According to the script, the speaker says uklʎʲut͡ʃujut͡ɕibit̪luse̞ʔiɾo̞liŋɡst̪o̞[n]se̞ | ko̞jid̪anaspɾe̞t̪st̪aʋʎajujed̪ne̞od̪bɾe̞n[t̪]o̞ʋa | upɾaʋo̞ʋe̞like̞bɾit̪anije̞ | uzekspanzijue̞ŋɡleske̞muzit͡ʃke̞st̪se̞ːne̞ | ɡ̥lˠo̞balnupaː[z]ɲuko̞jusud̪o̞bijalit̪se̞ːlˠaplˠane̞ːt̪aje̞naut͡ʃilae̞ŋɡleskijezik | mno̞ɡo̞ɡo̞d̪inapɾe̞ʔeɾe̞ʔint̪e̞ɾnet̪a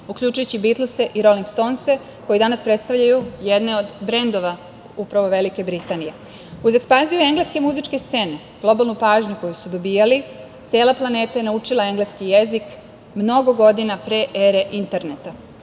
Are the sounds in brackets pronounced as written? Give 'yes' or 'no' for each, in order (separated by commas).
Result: yes, no, no